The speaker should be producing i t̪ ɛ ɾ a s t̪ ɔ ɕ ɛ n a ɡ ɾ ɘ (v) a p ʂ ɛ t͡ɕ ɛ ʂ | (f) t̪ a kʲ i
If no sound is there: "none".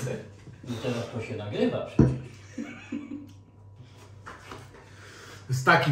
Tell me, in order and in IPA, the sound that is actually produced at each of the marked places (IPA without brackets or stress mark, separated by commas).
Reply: v, s